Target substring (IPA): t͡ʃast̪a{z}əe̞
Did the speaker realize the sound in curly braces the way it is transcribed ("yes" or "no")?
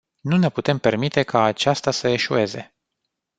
no